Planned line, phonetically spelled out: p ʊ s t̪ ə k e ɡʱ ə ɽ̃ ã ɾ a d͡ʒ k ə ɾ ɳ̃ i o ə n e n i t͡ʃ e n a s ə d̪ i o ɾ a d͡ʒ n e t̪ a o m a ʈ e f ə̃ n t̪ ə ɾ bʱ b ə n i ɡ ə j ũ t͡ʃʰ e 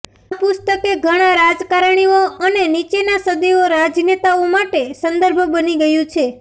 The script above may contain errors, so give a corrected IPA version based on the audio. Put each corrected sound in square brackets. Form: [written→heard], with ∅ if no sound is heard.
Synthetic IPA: p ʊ s t̪ ə k e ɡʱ ə ɽ̃ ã ɾ a d͡ʒ k [ə→a] ɾ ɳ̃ i o ə n e n i t͡ʃ e n a s ə d̪ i o ɾ a d͡ʒ n e t̪ a o m a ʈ e [f→s] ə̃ n [t̪→d̪] ə ɾ bʱ b ə n i ɡ ə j ũ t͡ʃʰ e